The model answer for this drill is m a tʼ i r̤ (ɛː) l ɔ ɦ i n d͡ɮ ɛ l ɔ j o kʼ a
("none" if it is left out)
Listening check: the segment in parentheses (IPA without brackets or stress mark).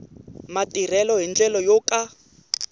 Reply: ɛ